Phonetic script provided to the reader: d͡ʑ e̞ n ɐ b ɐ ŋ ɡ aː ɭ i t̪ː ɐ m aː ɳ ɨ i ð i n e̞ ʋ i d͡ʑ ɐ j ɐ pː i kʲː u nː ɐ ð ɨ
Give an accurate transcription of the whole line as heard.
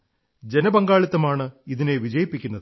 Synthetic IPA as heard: d͡ʑ e̞ n ɐ b ɐ ŋ ɡ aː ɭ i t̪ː ɐ m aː ɳ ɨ i ð i n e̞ ʋ i d͡ʑ ɐ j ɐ pː i kʲː u nː ɐ ð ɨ